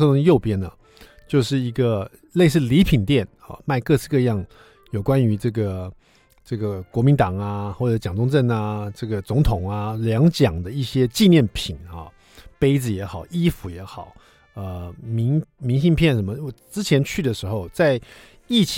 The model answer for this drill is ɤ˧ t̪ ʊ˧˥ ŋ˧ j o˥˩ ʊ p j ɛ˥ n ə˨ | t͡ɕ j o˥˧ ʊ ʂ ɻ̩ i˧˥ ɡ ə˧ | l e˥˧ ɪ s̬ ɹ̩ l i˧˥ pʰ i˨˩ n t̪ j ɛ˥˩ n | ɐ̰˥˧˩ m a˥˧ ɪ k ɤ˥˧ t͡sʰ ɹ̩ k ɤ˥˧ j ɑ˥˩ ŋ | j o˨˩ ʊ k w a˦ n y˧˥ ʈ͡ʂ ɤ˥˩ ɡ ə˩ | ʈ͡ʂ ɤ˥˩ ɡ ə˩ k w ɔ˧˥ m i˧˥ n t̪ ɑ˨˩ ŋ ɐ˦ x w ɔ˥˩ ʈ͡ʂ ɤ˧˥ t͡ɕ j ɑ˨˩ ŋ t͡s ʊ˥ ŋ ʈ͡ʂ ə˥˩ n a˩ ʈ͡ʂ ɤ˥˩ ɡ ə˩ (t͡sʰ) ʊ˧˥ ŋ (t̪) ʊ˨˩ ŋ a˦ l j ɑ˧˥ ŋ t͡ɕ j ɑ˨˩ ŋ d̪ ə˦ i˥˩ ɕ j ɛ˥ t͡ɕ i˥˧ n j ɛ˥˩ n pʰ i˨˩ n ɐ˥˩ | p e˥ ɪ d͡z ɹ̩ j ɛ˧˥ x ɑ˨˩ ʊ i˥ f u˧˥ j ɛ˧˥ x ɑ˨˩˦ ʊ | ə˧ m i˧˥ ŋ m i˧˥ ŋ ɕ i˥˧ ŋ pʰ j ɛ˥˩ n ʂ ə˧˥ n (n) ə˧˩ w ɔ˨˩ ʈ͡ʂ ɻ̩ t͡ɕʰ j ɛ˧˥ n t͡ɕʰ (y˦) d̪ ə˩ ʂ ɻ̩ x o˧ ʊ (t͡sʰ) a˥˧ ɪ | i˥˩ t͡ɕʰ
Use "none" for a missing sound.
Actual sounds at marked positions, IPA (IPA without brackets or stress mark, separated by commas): t͡s, t̪ʰ, m, y˥˩, t͡s